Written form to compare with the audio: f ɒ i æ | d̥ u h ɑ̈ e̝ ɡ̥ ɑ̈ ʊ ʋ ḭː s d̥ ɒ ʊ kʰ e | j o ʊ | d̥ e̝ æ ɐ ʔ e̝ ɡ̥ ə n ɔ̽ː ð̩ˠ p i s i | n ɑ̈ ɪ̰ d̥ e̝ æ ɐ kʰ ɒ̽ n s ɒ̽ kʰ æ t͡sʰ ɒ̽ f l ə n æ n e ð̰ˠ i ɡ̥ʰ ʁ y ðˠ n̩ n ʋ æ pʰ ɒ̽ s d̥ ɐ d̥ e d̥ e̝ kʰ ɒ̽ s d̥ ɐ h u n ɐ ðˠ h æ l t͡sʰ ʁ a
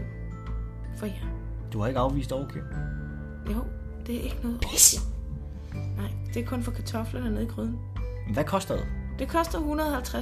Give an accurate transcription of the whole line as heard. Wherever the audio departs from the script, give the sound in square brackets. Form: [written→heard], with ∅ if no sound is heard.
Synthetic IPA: f ɒ [i→j] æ | d̥ u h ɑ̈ e̝ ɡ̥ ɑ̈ ʊ ʋ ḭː s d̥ ɒ ʊ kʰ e | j o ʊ | d̥ e̝ æ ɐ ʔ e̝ ɡ̥ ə n ɔ̽ː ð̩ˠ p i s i | n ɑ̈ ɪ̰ d̥ e̝ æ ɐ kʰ [ɒ̽→ɔ̽] n [s→f] ɒ̽ kʰ æ t͡sʰ ɒ̽ f l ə n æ n e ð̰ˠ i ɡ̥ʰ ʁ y ðˠ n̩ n ʋ æ [pʰ→kʰ] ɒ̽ s d̥ ɐ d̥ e d̥ e̝ kʰ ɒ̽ s d̥ ɐ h u n ɐ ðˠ h æ l t͡sʰ ʁ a